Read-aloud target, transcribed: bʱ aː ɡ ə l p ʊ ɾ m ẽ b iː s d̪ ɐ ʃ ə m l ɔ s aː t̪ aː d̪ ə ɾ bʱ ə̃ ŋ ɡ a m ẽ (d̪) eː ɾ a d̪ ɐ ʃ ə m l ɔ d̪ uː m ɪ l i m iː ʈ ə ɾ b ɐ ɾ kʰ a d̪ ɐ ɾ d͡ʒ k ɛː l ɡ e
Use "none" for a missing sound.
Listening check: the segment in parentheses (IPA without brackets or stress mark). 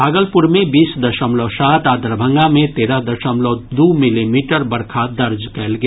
t̪